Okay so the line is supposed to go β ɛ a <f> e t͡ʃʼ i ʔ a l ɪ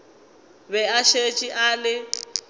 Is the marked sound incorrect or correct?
incorrect